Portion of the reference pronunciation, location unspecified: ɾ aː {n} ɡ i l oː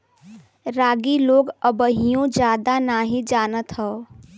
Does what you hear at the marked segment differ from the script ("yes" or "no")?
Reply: yes